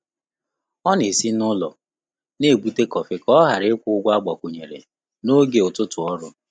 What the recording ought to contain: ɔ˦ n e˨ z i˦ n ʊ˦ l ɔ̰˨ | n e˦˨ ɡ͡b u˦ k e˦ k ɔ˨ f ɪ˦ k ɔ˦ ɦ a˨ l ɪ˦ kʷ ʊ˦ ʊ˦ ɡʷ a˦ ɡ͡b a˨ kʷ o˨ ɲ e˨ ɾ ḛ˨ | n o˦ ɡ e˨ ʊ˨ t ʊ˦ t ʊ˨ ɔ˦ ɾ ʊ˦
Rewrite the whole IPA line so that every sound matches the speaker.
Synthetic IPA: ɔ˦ n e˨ s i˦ n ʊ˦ l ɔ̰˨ | n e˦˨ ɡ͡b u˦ t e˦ k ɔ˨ f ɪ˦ k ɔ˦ ɦ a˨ ɾ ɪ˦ kʷ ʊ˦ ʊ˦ ɡʷ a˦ ɡ͡b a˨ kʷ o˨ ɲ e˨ ɾ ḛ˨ | n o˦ ɡ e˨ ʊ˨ t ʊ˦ t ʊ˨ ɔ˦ ɾ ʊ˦